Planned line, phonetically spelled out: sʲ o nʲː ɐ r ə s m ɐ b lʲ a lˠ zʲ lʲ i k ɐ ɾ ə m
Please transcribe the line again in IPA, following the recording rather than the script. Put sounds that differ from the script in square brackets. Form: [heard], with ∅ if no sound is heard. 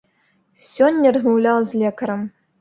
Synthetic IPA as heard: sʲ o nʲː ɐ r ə [z] m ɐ [w] lʲ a lˠ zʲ lʲ [e] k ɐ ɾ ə m